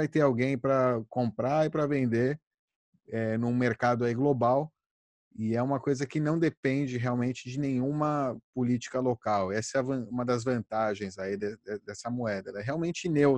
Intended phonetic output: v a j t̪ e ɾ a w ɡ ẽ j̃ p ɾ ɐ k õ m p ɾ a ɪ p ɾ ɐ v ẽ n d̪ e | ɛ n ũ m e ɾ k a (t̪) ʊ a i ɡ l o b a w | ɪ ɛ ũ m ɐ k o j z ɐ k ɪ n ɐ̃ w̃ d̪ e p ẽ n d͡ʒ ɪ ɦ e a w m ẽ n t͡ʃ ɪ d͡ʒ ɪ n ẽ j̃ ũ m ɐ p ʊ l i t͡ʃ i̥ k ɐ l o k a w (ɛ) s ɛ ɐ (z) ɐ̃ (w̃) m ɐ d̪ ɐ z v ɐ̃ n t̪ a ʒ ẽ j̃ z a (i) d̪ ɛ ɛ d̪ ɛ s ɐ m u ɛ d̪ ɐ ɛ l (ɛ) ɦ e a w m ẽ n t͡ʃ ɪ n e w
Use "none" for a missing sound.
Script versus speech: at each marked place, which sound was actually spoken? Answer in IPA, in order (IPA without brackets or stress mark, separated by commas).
d̪, ɛ, v, ũ, i, ɛ